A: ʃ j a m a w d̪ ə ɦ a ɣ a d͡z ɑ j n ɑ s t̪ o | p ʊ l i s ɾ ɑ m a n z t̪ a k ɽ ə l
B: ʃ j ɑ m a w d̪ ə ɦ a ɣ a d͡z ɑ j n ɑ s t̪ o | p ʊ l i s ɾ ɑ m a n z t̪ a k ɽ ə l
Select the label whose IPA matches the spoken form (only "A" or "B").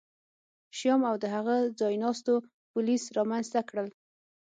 B